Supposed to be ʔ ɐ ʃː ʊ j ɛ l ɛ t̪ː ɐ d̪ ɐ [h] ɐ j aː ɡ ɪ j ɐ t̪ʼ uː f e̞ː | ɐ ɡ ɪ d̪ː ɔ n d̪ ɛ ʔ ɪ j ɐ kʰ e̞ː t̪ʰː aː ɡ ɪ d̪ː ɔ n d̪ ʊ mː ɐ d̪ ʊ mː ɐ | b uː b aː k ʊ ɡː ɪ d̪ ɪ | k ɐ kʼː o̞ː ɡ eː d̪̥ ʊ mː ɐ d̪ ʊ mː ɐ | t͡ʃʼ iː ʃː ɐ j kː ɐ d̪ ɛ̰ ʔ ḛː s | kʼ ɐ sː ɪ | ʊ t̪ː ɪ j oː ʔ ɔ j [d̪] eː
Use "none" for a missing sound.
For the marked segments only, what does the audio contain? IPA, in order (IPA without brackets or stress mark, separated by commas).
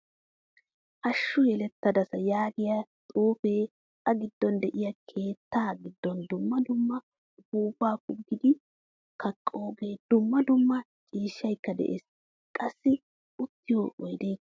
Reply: s, d̪